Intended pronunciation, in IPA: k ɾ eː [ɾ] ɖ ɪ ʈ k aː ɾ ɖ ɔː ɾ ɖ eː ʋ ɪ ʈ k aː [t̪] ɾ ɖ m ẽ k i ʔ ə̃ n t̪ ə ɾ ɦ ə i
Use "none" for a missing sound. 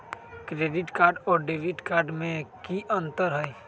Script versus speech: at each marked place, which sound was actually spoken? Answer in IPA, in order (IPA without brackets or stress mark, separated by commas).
none, none